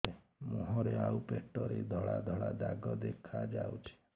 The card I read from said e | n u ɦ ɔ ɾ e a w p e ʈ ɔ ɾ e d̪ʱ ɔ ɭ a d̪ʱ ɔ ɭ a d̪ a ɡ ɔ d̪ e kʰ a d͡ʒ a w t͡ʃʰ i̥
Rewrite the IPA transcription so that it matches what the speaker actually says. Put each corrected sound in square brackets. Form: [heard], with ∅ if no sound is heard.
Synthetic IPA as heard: e | [m] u ɦ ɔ ɾ e a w p e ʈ ɔ ɾ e d̪ʱ ɔ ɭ a d̪ʱ ɔ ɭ a d̪ a ɡ ɔ d̪ e kʰ a d͡ʒ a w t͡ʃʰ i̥